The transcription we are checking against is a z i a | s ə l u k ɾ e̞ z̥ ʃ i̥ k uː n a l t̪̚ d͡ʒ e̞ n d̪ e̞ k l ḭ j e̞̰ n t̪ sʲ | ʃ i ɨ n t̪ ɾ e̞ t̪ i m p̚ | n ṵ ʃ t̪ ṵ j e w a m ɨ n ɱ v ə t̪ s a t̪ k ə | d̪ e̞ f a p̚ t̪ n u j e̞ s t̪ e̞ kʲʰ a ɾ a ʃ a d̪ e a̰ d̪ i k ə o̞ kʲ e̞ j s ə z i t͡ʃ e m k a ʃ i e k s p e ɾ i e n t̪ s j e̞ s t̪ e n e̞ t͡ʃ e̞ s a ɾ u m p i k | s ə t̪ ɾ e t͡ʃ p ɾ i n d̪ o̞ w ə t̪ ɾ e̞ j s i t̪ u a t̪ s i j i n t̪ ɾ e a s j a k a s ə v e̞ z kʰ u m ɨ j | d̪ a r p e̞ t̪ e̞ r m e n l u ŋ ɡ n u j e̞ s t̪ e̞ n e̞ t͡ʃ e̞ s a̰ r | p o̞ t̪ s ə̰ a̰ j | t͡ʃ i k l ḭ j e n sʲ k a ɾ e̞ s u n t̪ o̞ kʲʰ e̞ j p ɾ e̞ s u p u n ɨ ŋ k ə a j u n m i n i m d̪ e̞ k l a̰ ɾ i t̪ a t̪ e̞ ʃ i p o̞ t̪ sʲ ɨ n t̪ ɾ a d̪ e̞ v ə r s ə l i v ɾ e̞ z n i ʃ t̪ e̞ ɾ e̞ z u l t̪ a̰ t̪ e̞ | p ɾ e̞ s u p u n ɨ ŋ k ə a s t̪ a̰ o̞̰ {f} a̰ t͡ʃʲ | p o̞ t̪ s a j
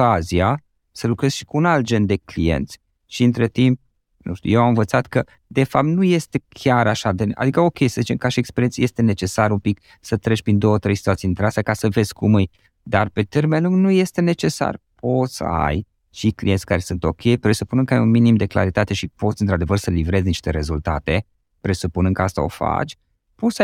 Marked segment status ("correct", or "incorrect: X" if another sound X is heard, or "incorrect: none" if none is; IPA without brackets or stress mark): correct